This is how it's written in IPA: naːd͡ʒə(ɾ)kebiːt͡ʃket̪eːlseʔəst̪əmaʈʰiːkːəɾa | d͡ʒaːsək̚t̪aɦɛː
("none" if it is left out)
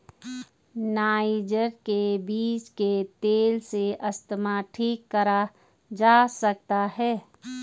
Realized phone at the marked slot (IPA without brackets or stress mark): ɾ